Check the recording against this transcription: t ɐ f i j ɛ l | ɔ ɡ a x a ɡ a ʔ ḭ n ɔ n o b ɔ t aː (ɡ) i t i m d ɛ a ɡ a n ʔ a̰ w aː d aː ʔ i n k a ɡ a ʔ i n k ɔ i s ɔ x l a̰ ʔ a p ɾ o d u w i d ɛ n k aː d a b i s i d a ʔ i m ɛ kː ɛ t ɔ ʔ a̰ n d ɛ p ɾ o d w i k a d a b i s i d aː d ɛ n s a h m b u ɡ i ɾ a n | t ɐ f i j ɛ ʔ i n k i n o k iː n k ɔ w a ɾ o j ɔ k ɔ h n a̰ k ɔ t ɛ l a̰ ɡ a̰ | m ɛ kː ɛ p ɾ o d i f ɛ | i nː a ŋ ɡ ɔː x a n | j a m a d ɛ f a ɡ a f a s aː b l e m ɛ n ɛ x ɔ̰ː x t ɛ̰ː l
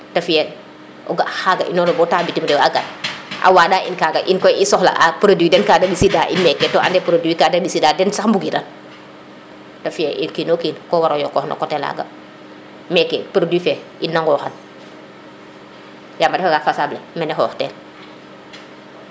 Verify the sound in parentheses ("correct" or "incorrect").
incorrect